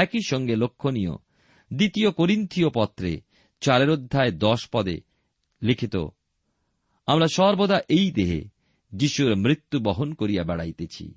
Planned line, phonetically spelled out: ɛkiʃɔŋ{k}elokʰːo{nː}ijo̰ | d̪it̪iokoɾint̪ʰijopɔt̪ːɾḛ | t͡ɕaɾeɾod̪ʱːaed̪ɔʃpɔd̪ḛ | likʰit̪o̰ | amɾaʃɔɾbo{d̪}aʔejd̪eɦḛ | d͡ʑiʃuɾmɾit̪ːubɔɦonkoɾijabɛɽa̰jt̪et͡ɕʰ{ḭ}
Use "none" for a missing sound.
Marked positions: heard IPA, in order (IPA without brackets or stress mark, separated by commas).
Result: ɡ, n, d̪, ḭ